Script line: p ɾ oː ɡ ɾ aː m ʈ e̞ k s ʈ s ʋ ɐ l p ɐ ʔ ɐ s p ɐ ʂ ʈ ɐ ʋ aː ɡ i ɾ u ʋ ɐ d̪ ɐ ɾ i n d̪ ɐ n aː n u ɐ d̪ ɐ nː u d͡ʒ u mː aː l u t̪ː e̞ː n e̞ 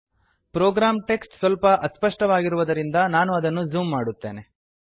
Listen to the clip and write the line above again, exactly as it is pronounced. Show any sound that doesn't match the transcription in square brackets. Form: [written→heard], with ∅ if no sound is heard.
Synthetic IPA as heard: p ɾ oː ɡ ɾ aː m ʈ e̞ k s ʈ s ʋ ɐ l p ɐ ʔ ɐ s p ɐ ʂ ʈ ɐ ʋ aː ɡ i ɾ u ʋ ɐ d̪ ɐ ɾ i n d̪ ɐ n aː n u ɐ d̪ ɐ nː u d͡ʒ [u→uː] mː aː [l→ɽ] u t̪ː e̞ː n e̞